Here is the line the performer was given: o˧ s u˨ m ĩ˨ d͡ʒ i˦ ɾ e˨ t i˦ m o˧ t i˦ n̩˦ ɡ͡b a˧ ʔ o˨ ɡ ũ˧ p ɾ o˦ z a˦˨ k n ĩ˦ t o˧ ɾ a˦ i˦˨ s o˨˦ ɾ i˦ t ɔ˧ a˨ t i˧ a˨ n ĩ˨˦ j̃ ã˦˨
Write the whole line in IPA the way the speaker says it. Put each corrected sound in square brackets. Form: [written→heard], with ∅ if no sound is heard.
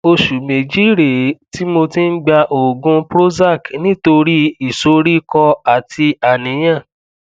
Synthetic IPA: o˧ [s→ʃ] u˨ m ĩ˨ d͡ʒ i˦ ɾ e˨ t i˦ m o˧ t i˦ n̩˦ ɡ͡b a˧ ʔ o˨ ɡ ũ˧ p ɾ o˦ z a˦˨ k n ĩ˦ t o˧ ɾ [a˦→i˦] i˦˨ s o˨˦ ɾ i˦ [t→k] ɔ˧ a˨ t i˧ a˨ n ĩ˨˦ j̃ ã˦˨